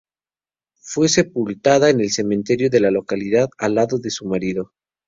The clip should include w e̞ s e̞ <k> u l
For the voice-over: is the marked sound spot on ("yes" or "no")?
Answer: no